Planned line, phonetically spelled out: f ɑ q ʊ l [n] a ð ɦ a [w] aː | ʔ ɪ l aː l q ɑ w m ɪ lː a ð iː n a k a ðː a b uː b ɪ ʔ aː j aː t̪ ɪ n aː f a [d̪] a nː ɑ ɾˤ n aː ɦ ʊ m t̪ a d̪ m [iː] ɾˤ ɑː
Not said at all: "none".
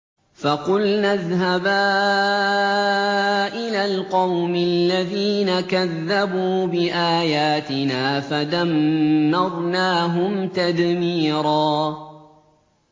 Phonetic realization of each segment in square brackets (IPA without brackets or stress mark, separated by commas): n, b, d̪, iː